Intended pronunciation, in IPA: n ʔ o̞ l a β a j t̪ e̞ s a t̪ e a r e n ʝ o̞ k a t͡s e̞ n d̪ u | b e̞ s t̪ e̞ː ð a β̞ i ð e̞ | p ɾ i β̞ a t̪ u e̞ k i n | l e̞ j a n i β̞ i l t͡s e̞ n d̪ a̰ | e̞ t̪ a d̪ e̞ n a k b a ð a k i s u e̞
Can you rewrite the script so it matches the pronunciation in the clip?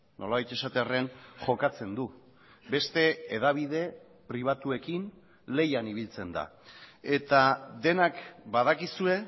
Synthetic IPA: n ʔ o̞ l a β a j t̪ e̞ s a t̪ e a r e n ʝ o̞ k a t͡s e̞ n d̪ u | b e̞ s t̪ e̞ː ð a β̞ i ð e̞ | p ɾ i β̞ a t̪ u e̞ k i n | l e̞ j a n i β̞ i l t͡s e̞ n d̪ a̰ | e̞ t̪ a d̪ e̞ n a k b a ð a k i s u e̞